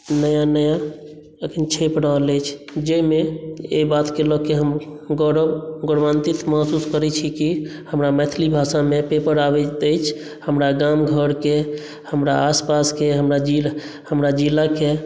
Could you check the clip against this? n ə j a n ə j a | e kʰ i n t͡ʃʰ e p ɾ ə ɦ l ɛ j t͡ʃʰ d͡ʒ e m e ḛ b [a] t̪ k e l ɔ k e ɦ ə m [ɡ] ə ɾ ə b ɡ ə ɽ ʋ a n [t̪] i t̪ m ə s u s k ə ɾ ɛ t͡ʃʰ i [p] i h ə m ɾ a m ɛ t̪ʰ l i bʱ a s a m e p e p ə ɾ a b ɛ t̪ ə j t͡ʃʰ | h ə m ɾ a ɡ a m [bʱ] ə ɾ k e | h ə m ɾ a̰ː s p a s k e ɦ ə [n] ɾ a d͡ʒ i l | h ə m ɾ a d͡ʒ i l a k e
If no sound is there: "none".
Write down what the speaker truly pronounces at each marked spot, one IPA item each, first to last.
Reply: a, ɡ, t̪, k, ɡʱ, m

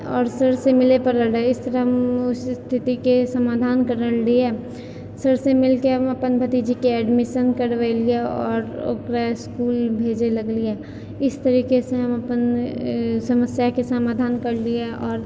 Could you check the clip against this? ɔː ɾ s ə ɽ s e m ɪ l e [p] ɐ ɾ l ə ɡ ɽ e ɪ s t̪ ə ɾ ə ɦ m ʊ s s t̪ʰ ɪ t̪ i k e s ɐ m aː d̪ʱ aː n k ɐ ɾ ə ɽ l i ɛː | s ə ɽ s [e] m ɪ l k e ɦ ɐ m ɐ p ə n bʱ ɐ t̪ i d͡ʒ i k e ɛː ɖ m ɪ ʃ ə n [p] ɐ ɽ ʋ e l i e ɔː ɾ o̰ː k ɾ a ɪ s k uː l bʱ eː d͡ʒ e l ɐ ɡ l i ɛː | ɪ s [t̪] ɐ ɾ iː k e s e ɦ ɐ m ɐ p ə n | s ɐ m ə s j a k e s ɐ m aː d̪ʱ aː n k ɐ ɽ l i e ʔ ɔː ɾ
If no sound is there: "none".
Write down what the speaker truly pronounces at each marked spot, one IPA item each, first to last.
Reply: p, e, k, t̪

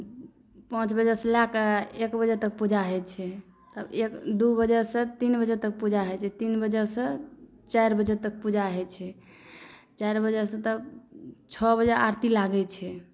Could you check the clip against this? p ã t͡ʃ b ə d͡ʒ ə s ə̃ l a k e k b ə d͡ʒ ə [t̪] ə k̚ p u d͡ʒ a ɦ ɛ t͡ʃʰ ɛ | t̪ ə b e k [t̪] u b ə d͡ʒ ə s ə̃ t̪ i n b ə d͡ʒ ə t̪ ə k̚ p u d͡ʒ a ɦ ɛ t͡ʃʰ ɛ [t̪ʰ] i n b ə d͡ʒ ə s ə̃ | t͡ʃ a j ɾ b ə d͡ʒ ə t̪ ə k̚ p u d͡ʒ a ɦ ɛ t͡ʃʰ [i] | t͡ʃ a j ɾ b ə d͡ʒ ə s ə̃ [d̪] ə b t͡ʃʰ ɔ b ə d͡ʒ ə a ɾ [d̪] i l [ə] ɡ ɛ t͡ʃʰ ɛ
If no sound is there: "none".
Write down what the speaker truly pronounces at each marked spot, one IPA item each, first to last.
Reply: t̪, d̪, t̪, ɛ, t̪, t̪, a

